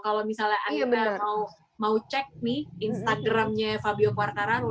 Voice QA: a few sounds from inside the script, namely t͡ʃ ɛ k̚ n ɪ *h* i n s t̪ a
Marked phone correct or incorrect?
correct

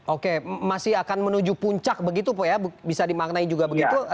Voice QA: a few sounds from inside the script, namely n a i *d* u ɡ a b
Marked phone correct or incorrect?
incorrect: d͡ʒ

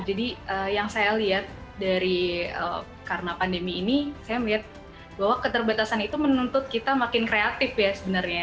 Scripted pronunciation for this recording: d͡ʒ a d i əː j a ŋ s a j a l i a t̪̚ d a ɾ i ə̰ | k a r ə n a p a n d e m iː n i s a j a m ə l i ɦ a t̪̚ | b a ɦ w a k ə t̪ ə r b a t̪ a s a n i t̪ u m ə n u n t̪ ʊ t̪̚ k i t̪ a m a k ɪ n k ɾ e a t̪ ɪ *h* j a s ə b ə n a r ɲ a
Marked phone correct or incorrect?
incorrect: f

